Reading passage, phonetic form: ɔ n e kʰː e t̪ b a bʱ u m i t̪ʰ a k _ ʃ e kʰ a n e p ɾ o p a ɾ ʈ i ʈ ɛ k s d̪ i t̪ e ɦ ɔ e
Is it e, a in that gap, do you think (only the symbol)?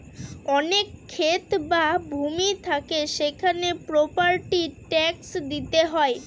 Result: e